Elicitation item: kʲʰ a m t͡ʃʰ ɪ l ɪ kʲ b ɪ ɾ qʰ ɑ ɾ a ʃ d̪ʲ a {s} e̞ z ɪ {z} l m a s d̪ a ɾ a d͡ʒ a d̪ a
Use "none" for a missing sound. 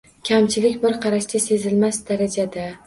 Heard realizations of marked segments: s, none

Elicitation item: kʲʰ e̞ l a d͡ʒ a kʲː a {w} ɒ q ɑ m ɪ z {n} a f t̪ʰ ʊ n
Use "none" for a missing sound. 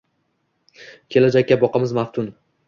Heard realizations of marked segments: b, m

